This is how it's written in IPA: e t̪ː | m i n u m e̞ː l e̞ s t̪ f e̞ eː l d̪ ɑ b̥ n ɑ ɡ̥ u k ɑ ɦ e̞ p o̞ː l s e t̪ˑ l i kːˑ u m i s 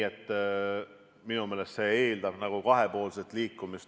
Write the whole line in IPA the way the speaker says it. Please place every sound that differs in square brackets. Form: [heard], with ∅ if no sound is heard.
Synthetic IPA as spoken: e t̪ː | m i n u m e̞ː l e̞ s t̪ [s] e̞ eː l d̪ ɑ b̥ n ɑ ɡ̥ u k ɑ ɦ e̞ p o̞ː l s e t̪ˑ l [iː] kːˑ u m i s